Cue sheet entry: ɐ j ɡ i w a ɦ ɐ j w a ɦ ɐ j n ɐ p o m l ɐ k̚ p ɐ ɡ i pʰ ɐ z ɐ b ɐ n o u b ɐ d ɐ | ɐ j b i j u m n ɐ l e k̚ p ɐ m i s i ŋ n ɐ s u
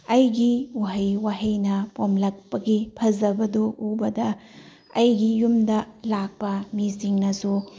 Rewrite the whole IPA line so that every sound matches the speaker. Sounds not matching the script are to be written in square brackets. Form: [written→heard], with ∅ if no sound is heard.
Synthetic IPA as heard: ɐ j ɡ i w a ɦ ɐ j w a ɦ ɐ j n ɐ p o m l ɐ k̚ p ɐ ɡ i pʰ ɐ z ɐ b ɐ [n→d] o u b ɐ d ɐ | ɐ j [b→ɡ] i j u m [n→d] ɐ l [e→a] k̚ p ɐ m i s i ŋ n ɐ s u